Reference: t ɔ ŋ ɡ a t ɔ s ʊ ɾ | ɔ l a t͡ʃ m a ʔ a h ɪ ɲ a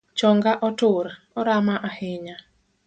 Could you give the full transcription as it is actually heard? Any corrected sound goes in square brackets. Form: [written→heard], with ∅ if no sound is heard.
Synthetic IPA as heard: [t→t͡ʃ] ɔ ŋ ɡ a [t→ʔ] ɔ [s→t] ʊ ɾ | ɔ [l→ɾ] a [t͡ʃ→∅] m a ʔ a h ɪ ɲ a